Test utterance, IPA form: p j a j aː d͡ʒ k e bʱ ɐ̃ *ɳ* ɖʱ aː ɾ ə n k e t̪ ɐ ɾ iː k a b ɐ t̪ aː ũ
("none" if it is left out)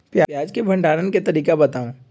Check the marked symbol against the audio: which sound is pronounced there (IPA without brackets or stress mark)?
ɳ